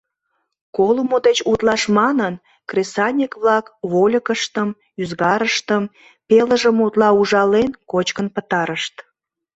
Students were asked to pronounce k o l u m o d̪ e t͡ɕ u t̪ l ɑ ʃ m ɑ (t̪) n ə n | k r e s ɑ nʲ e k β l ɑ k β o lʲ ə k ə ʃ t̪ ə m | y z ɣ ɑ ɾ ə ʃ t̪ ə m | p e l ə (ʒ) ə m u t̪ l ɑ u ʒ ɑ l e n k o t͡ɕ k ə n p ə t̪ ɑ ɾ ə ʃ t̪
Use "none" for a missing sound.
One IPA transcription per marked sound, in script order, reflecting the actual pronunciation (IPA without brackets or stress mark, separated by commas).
none, ʒ